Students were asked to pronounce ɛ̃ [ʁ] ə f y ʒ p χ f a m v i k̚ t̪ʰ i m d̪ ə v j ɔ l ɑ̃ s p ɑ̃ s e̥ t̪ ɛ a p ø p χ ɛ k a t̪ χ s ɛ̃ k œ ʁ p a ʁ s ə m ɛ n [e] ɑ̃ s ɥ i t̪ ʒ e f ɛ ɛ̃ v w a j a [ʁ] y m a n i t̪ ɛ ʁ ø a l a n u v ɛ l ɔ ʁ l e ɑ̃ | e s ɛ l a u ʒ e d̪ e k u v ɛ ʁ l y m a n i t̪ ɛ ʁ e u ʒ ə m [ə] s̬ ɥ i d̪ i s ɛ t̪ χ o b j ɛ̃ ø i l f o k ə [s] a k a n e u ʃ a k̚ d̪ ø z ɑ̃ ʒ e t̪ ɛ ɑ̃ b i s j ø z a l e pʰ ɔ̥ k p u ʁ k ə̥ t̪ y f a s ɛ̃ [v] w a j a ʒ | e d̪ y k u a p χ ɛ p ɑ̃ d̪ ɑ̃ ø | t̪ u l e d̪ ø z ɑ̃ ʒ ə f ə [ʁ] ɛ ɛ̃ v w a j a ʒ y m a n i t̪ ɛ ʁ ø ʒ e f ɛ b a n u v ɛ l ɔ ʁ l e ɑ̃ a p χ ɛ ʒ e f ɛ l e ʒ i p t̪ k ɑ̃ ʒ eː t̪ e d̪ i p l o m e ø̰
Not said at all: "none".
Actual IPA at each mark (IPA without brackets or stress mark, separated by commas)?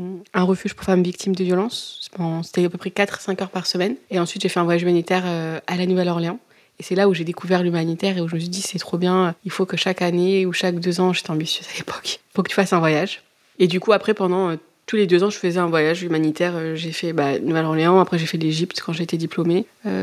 ʁ, e, ʒ, ə, ʃ, v, z